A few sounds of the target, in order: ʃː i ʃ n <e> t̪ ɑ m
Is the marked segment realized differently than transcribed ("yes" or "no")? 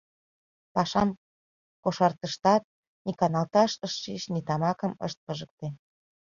yes